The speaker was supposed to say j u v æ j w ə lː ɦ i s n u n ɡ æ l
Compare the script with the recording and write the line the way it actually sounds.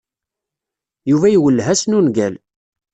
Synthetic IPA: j u v æ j w ə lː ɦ æ s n u n ɡ æ l